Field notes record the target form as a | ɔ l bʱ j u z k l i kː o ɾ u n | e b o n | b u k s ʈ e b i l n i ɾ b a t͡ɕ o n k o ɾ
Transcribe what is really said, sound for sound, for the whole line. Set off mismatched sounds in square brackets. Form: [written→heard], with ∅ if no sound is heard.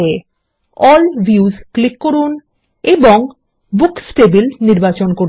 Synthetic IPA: [a→e] | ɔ l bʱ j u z k l i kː o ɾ u n | e b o [n→ŋ] | b u k s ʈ e b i l n i ɾ b a t͡ɕ o n k o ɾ